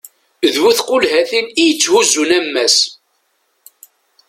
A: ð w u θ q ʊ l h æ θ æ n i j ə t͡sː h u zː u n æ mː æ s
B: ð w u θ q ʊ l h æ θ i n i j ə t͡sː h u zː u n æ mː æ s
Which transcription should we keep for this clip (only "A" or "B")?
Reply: B